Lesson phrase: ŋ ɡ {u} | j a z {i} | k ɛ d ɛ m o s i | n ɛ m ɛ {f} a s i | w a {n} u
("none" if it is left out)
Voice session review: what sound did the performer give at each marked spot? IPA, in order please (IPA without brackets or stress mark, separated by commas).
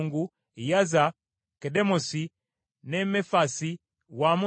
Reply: u, a, f, m